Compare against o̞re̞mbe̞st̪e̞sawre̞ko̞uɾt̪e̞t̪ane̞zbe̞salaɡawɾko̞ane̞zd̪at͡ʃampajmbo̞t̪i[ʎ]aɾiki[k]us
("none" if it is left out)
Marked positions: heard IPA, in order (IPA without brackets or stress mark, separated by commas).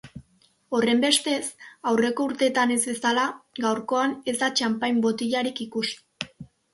ʎ, k